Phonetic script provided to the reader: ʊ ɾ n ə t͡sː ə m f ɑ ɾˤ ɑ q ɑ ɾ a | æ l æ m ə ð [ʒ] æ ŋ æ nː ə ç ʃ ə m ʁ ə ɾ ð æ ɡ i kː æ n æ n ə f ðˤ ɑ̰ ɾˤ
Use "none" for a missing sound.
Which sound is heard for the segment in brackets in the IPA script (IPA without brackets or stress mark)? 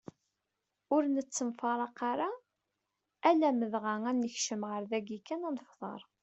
ʁ